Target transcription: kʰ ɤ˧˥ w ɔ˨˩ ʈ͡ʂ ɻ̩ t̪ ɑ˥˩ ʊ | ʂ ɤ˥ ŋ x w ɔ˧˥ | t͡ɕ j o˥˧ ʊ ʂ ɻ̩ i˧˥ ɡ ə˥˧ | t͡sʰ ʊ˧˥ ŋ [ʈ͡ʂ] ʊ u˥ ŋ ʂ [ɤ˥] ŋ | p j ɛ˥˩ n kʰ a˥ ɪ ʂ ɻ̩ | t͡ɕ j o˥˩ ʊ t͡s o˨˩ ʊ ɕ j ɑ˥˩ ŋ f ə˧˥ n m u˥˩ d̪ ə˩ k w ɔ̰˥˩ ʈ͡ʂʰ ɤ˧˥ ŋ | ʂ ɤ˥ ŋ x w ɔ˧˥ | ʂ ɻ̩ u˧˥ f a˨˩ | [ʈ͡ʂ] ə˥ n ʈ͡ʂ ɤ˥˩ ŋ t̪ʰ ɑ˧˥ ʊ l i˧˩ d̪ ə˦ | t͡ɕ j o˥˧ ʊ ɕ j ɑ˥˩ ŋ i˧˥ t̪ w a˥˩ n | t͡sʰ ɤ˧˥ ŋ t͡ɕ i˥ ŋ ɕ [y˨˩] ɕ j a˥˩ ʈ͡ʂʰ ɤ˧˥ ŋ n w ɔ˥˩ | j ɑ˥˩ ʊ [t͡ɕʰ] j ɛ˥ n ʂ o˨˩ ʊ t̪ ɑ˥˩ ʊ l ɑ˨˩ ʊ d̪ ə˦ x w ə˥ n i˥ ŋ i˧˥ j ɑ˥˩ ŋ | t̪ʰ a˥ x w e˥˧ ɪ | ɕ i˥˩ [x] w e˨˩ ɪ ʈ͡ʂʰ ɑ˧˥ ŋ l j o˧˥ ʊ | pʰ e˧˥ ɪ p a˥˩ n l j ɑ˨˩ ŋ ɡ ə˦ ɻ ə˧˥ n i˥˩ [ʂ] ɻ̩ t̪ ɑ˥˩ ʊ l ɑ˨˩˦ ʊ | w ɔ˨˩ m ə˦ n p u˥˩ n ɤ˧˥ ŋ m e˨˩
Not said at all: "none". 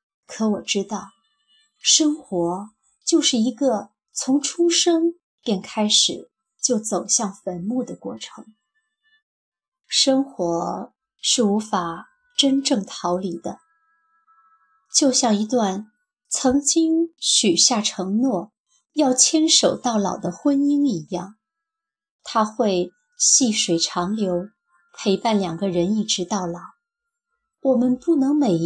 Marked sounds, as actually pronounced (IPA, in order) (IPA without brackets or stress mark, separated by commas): ʈ͡ʂʰ, ɤ˥, ʈ͡ʂ, y˨˩, t͡ɕʰ, ʂ, ʈ͡ʂ